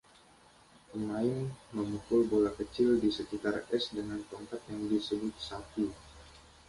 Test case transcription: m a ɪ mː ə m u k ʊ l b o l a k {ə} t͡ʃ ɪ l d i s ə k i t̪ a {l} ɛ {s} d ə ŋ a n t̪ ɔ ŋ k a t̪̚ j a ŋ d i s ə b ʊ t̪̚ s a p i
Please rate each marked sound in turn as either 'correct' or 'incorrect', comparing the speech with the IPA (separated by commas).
correct, incorrect, correct